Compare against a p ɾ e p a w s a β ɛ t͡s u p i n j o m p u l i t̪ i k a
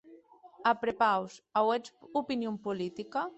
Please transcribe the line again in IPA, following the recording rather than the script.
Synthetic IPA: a p ɾ e p a w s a w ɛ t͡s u p i n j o m p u l i t̪ i k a

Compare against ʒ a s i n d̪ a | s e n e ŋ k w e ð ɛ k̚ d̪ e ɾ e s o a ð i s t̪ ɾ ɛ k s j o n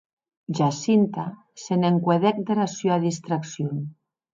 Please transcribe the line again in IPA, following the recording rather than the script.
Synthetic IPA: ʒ a s i n t̪ a | s e n e ŋ k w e ð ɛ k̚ d̪ e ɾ a s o a ð i s t̪ ɾ a k s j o n

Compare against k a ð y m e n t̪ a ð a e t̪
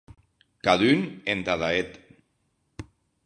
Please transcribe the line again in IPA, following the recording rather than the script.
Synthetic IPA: k a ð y n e n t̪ a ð a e t̪

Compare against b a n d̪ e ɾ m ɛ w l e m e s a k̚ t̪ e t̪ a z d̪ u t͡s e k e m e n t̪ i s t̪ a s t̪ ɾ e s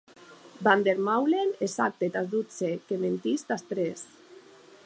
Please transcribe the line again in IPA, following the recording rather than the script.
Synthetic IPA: b a n d̪ e ɾ m a w l e n e s a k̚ t̪ e t̪ a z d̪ u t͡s e k e m e n t̪ i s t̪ a s t̪ ɾ e s

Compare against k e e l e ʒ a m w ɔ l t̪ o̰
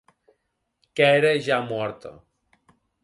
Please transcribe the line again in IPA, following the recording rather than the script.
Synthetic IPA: k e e ɾ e ʒ a m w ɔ ɾ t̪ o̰

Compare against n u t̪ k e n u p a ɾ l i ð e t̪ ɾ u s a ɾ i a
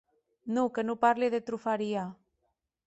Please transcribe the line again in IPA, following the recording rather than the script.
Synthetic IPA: n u k e n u p a ɾ l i ð e t̪ ɾ u f a ɾ i a

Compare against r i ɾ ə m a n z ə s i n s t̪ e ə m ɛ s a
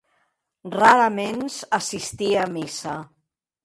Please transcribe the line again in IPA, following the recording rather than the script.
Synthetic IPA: r a ɾ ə m e n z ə s i s t̪ i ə m i s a

